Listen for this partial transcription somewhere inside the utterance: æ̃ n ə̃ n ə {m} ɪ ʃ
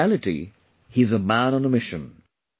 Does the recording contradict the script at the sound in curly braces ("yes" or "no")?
no